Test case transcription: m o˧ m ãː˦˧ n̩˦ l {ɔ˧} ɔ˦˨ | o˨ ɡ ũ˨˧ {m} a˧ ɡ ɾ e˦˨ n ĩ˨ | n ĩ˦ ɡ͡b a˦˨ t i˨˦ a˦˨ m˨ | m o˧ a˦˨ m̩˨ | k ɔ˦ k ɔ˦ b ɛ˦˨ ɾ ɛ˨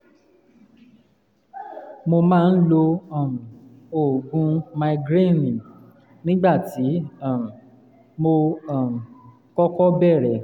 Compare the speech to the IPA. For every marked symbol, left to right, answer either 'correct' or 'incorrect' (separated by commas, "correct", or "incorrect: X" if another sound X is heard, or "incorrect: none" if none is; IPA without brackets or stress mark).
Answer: incorrect: o˧, correct